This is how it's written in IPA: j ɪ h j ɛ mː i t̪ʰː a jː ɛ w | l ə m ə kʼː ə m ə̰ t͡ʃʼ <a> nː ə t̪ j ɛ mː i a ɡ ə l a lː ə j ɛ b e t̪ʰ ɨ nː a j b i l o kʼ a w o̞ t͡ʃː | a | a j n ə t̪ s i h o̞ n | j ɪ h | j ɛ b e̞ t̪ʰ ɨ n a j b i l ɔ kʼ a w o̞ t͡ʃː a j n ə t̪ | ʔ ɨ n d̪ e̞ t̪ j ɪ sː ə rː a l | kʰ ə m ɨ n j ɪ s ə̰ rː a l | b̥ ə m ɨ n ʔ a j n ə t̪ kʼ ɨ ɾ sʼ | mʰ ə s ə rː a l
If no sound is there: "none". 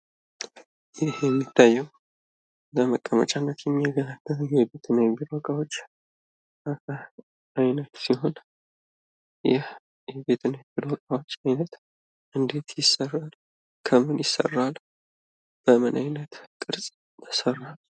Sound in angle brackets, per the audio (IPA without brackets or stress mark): a